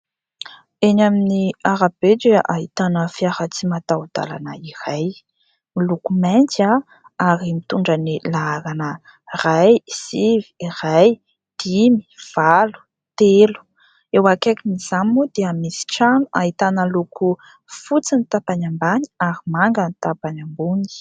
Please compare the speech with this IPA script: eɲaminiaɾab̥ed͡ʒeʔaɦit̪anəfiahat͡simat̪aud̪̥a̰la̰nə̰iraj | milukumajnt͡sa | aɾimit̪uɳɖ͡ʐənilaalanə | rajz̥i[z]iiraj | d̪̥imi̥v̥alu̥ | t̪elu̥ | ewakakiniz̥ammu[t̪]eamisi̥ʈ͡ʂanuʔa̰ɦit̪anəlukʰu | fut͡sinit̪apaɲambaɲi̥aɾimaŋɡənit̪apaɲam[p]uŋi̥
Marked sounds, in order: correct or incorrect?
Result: incorrect, incorrect, incorrect

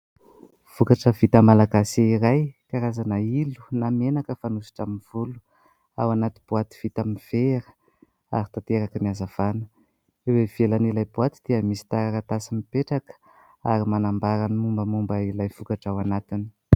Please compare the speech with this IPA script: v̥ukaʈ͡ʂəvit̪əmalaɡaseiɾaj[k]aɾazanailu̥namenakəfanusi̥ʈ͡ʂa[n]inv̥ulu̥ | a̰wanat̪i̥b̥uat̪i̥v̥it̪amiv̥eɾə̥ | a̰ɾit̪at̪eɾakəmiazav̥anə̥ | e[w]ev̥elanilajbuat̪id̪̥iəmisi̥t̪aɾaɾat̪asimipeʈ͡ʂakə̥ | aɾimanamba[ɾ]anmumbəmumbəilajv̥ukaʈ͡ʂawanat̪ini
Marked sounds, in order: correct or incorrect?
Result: correct, incorrect, correct, correct

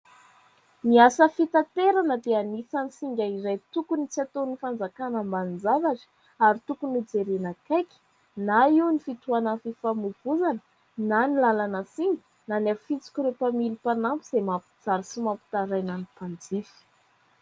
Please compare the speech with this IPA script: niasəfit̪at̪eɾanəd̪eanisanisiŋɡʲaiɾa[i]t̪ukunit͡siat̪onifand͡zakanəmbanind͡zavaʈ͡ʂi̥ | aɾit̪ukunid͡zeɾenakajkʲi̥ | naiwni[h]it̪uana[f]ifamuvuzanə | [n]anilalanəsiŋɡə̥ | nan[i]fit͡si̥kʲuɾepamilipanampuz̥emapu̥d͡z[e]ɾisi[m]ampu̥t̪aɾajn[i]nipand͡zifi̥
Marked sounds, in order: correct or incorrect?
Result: incorrect, incorrect, correct, correct, incorrect, incorrect, correct, incorrect

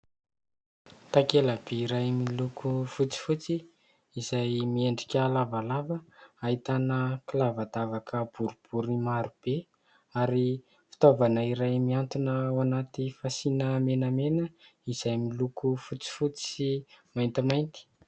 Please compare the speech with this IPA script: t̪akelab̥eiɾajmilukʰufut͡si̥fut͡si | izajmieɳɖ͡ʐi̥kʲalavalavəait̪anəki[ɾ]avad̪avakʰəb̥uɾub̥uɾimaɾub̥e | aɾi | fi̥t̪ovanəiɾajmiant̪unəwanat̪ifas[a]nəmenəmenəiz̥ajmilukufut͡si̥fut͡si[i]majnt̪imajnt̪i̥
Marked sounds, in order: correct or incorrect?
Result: incorrect, incorrect, correct

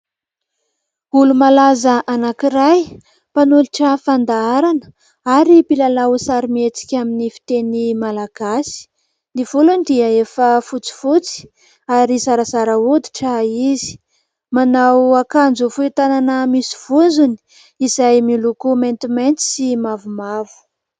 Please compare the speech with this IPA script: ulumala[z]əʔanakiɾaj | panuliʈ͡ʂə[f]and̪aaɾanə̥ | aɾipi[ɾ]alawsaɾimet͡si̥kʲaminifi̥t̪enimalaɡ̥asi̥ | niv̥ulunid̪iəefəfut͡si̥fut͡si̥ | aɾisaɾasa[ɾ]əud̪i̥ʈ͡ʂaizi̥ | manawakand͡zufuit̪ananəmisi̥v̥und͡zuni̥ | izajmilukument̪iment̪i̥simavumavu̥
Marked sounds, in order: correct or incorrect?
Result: correct, correct, incorrect, correct

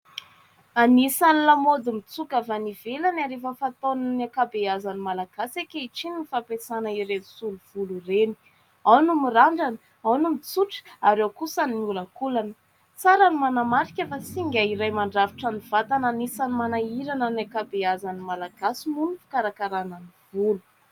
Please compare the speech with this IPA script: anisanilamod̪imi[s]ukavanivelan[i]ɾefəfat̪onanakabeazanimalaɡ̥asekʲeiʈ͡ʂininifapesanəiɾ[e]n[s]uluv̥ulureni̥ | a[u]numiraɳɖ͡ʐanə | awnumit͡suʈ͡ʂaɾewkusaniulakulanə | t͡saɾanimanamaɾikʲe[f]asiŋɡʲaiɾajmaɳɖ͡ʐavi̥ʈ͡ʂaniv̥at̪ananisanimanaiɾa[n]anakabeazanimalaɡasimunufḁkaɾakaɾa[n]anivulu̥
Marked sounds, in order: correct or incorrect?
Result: incorrect, incorrect, correct, correct, incorrect, correct, correct, correct

